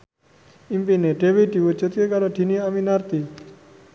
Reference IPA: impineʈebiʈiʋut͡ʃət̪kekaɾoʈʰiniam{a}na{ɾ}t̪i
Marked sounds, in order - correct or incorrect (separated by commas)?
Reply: incorrect, correct